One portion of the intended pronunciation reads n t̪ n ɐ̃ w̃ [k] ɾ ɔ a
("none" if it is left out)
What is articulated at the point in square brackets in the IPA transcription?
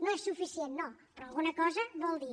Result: p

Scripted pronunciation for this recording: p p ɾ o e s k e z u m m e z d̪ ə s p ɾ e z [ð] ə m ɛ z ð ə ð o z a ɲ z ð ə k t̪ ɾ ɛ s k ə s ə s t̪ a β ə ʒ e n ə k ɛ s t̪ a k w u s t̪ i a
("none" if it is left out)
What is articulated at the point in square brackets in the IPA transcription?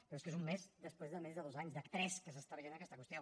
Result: ð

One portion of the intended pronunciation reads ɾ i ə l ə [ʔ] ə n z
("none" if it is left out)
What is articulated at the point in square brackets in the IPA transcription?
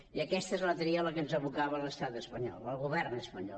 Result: k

